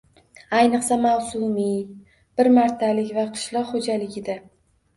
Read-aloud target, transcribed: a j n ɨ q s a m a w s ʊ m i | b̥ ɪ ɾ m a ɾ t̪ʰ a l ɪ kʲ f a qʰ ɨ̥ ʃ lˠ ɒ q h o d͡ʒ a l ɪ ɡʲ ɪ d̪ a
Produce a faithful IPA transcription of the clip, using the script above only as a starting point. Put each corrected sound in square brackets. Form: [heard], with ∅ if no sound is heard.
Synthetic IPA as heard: a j n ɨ q s a m a w s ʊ m i | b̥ ɪ ɾ m a ɾ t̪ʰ a l ɪ kʲ [v] a qʰ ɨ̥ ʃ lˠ ɒ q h o d͡ʒ a l ɪ ɡʲ ɪ d̪ a